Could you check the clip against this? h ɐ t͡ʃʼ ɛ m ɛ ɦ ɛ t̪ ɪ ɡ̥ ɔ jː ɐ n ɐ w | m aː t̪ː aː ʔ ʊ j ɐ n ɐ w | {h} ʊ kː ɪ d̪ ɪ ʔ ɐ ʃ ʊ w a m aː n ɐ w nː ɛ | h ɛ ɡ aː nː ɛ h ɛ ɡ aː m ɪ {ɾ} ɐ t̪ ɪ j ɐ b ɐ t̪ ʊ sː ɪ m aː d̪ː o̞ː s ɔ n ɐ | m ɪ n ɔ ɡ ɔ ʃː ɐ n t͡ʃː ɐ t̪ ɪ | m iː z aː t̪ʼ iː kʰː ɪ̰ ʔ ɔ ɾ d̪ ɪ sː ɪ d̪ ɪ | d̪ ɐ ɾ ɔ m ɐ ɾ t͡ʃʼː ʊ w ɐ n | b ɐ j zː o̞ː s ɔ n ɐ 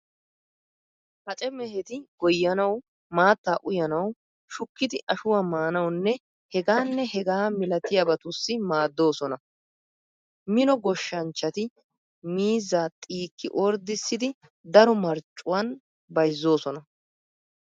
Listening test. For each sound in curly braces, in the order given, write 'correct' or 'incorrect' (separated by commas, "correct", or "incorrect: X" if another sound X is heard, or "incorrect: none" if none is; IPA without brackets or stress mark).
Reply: incorrect: ʃ, incorrect: l